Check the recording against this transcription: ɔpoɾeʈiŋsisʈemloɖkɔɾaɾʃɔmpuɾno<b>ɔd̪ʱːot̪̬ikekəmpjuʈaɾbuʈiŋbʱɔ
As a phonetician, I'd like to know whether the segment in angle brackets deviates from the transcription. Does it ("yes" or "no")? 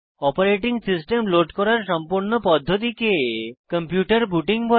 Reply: yes